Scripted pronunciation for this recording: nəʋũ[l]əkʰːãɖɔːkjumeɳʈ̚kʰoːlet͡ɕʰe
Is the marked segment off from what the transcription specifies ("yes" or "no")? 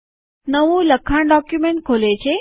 no